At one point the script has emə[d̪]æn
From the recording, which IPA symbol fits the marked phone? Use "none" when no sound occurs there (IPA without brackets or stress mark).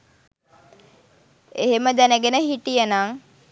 d̪